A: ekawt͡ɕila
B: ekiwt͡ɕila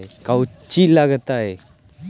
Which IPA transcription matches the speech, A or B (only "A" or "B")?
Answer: A